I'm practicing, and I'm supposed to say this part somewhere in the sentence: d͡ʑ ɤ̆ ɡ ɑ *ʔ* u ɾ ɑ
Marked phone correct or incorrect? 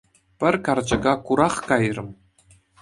incorrect